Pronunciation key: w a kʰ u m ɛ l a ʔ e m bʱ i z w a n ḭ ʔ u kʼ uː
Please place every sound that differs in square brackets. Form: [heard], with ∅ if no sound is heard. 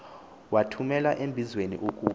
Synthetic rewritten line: w a [tʰ] u m ɛ l a ʔ e m bʱ i z w [e] n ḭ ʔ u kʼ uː